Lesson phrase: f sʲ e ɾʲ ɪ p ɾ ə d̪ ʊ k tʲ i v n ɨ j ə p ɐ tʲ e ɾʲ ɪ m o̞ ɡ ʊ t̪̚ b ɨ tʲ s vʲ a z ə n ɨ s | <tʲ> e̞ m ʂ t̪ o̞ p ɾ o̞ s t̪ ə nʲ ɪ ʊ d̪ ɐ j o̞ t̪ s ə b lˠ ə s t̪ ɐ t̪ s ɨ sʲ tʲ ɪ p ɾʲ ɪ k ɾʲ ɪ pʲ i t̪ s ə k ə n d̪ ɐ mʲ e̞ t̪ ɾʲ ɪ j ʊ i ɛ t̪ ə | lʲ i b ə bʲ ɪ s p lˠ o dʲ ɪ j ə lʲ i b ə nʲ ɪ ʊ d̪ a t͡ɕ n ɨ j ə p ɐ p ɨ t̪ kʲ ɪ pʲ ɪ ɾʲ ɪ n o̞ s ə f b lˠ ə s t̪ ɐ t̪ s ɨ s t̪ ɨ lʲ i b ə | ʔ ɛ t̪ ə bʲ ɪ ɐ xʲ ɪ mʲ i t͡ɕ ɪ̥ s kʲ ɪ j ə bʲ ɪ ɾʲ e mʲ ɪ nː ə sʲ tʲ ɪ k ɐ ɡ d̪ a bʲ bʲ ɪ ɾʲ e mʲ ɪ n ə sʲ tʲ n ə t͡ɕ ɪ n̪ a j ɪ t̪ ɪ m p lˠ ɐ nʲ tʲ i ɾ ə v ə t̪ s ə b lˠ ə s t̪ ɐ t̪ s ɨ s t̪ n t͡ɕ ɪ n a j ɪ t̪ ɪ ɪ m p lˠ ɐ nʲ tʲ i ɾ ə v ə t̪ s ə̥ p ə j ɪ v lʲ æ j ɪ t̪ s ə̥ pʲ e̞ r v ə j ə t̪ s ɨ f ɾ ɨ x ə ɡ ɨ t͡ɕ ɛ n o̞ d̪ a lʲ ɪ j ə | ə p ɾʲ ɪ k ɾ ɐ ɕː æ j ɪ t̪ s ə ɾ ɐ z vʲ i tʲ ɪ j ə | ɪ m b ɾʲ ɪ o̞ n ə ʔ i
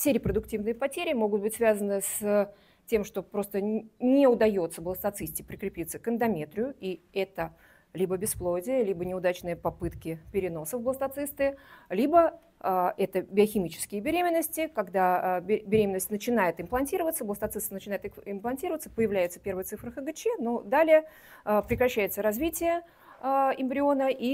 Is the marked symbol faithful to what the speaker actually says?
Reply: yes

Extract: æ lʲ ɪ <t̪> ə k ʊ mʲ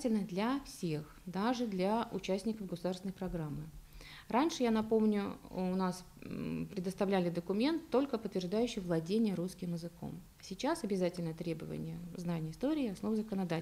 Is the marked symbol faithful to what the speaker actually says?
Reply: no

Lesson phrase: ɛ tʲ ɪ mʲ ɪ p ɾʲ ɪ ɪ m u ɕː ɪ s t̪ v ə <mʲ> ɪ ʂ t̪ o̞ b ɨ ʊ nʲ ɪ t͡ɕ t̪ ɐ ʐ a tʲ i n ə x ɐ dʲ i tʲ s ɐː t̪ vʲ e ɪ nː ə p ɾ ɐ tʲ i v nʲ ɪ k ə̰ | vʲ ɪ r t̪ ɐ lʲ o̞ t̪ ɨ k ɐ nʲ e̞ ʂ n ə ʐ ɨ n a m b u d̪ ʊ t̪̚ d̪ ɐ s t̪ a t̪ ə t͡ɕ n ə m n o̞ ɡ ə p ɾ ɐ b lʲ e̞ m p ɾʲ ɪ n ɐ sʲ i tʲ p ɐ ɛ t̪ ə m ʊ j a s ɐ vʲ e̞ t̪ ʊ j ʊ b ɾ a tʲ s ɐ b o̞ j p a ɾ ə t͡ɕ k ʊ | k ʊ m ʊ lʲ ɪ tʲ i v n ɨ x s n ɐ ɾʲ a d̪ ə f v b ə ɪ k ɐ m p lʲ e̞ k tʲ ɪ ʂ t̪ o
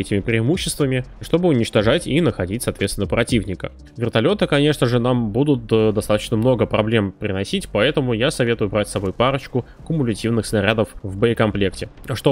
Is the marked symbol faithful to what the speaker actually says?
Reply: yes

